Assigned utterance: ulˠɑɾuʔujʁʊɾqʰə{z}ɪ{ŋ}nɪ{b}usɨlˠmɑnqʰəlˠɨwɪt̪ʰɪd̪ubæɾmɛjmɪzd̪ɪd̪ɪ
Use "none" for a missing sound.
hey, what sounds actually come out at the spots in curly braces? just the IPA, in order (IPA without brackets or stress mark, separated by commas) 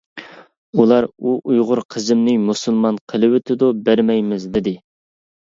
z, m, m